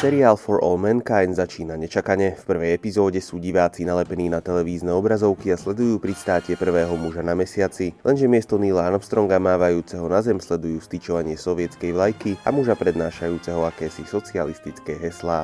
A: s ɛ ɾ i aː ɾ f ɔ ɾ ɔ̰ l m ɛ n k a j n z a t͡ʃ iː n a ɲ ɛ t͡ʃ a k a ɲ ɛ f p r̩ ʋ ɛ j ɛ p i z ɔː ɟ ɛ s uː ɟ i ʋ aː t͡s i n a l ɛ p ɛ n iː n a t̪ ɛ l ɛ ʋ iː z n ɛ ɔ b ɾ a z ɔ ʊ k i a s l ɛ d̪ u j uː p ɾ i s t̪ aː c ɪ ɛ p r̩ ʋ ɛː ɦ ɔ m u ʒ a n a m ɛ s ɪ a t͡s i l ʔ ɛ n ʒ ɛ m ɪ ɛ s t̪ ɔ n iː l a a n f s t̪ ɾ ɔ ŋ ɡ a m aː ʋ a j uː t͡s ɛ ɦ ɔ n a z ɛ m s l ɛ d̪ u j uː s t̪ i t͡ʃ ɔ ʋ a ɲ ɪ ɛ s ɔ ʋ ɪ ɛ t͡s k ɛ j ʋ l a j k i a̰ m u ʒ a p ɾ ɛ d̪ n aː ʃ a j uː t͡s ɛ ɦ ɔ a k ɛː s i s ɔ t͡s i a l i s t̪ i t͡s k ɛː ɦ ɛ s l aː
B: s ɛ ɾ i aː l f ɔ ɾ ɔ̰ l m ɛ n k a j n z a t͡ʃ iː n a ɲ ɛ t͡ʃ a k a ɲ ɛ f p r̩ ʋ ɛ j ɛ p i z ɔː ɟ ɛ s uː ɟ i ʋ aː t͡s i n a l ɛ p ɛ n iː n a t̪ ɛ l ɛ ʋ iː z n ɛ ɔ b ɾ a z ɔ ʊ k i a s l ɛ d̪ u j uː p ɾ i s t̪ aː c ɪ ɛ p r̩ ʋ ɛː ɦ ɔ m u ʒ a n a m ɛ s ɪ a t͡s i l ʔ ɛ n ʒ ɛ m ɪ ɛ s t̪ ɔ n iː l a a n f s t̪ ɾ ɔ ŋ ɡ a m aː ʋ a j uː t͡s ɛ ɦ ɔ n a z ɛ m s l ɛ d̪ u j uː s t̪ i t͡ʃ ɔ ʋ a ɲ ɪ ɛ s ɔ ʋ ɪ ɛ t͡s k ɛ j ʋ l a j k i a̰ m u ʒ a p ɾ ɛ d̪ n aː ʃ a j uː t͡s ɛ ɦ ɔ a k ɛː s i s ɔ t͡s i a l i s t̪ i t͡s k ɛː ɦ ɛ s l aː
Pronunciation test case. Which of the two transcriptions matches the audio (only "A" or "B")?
B